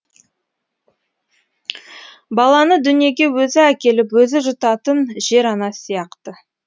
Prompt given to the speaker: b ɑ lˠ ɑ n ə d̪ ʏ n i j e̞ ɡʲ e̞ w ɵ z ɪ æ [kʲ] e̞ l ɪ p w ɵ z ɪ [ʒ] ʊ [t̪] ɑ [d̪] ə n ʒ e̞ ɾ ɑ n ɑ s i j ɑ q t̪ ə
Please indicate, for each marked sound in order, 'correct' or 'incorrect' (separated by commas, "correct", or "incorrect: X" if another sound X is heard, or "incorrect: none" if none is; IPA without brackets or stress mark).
correct, correct, correct, incorrect: t̪